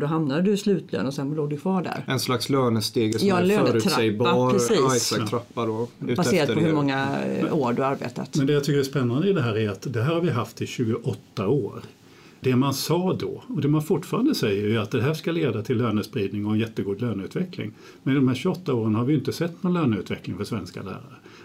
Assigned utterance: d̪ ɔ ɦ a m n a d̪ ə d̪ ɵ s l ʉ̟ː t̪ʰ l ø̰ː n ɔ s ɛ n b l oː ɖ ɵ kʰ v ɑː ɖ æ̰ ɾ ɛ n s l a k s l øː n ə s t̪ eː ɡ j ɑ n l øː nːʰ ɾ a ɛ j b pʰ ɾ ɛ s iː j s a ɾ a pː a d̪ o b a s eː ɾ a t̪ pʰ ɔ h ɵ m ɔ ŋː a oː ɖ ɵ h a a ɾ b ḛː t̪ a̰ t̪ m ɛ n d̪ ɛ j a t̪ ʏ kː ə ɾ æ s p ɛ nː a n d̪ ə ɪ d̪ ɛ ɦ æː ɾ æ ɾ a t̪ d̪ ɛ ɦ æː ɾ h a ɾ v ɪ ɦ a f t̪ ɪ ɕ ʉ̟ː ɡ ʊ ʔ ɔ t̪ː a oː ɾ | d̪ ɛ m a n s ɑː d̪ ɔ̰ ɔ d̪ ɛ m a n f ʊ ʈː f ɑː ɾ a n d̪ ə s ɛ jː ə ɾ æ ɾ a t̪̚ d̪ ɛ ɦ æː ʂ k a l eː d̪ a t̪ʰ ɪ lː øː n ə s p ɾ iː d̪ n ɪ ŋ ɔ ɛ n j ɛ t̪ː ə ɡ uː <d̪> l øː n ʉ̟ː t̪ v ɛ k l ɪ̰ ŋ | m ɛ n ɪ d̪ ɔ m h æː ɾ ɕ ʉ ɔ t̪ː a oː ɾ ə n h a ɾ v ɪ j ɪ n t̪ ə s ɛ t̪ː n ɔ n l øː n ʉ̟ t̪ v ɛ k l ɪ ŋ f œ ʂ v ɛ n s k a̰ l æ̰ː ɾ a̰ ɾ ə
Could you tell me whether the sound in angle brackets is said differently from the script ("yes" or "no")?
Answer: no